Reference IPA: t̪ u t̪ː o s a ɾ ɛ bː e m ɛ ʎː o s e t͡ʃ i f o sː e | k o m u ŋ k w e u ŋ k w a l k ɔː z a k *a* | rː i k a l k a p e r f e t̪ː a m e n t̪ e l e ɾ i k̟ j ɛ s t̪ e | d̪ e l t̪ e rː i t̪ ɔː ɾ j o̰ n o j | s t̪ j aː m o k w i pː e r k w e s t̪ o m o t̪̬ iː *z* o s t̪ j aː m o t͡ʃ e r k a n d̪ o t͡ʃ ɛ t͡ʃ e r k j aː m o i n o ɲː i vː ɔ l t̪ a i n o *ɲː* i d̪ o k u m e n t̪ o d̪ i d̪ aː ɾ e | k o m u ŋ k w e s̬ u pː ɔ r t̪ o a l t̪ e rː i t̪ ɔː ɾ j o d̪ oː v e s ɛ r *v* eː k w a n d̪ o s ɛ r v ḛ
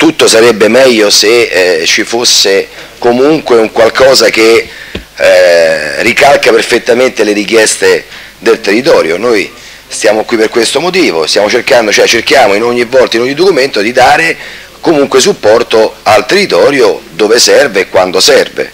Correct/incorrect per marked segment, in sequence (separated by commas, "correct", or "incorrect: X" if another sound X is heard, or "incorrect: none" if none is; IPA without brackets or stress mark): incorrect: e, incorrect: v, correct, correct